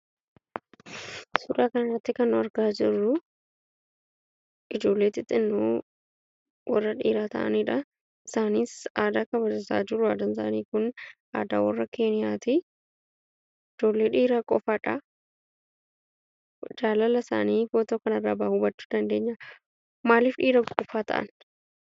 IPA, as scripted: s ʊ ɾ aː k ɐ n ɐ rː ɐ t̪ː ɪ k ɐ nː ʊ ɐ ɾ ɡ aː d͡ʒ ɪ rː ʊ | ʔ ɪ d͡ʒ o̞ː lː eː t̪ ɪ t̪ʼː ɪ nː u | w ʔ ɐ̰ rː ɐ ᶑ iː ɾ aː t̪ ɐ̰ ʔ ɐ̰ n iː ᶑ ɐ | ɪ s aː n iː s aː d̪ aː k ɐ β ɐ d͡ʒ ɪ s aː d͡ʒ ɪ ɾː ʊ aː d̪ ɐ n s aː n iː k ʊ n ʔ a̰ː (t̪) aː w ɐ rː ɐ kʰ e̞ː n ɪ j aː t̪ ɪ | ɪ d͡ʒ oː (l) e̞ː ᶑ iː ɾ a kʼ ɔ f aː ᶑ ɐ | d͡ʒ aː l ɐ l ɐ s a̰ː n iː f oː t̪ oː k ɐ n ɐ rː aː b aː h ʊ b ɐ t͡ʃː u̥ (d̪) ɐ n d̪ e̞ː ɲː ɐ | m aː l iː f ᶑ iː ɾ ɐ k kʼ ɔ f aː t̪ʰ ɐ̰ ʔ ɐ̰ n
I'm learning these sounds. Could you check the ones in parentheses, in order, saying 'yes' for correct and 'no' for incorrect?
no, no, yes

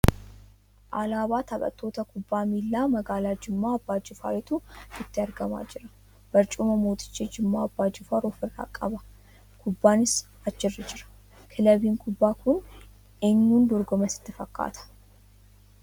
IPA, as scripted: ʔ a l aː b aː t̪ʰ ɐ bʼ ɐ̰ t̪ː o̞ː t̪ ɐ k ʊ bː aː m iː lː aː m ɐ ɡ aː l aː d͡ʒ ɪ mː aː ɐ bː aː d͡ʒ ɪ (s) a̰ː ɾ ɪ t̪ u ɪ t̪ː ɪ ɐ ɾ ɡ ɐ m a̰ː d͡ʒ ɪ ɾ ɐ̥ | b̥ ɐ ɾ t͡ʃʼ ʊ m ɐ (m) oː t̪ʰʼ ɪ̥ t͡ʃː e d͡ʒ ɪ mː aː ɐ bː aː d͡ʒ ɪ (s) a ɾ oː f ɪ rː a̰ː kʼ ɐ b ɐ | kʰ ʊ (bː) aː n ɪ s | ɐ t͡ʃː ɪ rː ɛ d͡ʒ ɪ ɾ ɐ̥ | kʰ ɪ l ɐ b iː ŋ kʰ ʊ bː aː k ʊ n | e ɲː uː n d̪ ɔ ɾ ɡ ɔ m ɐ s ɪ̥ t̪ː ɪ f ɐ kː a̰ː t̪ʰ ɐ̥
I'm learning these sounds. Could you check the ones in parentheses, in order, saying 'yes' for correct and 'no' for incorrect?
no, yes, no, yes

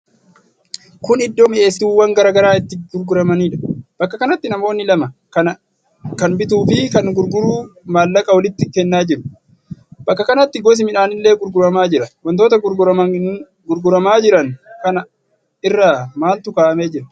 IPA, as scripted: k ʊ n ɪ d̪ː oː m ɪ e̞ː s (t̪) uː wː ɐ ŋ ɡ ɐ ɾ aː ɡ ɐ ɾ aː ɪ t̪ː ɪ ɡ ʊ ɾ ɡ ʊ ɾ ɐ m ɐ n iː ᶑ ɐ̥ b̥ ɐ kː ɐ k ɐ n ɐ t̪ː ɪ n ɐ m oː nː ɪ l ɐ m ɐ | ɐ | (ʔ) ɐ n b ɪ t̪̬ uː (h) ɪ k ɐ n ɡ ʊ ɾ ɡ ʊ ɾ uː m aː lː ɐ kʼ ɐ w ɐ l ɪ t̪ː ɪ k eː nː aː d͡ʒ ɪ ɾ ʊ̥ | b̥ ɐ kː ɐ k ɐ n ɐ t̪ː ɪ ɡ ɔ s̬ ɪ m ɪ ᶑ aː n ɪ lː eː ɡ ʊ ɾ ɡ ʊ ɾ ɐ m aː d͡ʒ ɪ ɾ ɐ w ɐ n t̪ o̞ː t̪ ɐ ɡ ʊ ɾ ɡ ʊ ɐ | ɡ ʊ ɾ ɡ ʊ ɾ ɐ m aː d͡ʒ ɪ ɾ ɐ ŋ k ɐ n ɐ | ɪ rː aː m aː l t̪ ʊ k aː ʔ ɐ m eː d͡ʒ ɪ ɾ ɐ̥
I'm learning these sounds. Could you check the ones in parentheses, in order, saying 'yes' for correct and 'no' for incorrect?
yes, no, no

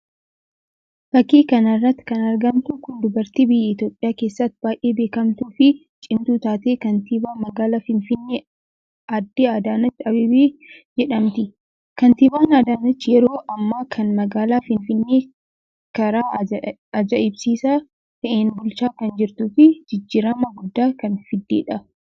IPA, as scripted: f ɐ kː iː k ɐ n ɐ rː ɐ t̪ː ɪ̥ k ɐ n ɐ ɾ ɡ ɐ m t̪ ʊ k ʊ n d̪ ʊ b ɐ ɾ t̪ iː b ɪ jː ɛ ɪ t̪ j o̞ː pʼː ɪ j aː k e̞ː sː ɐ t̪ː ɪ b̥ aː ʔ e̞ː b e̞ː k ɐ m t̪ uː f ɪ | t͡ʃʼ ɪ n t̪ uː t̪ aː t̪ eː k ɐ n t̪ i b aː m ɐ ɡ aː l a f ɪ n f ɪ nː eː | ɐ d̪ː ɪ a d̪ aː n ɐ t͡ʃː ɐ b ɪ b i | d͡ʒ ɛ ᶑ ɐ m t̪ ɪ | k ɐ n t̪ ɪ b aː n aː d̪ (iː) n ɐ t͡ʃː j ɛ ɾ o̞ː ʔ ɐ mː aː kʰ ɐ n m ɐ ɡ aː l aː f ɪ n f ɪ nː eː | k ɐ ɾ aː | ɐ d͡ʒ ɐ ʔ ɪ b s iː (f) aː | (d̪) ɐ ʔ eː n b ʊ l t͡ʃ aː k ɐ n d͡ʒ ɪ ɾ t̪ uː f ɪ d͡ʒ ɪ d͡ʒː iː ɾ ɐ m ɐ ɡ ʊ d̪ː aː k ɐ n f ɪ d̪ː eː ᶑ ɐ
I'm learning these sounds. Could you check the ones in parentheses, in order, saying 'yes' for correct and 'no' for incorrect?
no, no, no

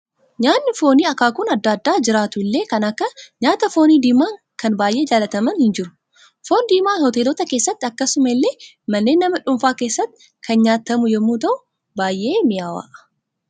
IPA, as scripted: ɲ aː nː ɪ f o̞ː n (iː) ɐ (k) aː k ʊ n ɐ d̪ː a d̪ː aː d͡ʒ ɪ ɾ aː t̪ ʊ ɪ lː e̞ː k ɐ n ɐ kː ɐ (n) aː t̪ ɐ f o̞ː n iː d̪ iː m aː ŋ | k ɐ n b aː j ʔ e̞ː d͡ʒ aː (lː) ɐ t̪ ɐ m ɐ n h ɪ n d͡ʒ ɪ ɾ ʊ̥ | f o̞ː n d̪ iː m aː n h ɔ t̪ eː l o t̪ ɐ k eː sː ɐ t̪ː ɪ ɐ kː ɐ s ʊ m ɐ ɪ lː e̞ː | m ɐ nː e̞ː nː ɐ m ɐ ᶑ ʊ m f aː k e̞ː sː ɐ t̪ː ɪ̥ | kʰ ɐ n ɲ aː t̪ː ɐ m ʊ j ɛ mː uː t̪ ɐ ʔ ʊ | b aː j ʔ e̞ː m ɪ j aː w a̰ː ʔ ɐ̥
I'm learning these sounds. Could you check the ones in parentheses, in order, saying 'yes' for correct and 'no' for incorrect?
yes, yes, no, no

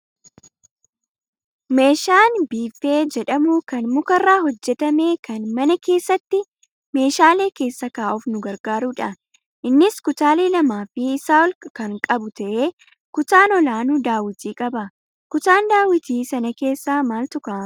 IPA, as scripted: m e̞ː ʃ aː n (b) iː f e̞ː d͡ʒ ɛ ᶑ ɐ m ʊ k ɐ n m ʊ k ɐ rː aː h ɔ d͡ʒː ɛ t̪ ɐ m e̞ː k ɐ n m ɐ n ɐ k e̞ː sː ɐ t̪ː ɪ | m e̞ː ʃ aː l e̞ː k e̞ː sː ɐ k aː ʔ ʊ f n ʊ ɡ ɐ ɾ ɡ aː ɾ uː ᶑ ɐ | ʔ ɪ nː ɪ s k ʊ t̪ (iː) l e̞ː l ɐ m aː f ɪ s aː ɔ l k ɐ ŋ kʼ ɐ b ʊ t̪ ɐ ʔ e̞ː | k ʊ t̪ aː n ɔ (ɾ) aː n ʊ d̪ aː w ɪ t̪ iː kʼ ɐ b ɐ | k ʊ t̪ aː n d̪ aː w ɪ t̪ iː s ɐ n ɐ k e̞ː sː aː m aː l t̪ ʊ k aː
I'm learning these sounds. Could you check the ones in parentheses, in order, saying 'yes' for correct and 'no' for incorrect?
yes, no, no

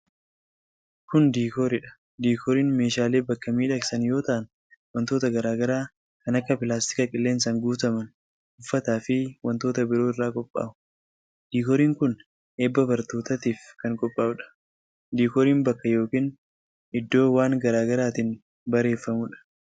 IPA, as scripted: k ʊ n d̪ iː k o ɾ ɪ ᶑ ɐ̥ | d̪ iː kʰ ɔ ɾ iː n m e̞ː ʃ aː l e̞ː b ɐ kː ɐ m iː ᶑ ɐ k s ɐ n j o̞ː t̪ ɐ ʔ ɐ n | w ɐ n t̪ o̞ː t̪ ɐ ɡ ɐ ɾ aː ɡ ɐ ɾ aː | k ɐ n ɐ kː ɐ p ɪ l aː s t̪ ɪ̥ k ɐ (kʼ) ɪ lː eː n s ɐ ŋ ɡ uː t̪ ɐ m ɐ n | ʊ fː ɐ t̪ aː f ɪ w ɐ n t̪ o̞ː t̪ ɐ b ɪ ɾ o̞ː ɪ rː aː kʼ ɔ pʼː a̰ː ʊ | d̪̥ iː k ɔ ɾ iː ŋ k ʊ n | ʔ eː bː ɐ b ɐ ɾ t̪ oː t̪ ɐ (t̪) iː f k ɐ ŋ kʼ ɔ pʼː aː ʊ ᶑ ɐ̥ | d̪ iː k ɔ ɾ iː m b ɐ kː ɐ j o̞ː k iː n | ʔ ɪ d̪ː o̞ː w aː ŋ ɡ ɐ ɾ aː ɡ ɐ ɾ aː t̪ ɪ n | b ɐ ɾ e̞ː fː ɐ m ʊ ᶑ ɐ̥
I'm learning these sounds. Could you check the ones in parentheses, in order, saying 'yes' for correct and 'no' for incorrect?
yes, yes

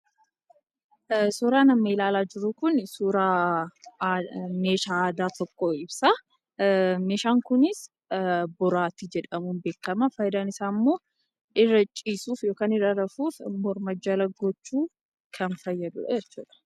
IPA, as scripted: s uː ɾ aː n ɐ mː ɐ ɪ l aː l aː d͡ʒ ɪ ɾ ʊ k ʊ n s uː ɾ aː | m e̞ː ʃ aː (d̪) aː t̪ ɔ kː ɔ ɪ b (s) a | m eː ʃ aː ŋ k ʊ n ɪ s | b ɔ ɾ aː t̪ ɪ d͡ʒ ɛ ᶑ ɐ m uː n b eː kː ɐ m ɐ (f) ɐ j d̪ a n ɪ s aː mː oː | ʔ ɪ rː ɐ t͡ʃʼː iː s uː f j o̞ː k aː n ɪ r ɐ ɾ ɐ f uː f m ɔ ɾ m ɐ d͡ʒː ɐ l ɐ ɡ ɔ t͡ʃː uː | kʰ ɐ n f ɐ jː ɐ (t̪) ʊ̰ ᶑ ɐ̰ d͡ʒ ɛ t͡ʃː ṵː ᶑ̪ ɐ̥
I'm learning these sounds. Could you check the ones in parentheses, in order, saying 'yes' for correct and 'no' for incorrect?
yes, yes, yes, no

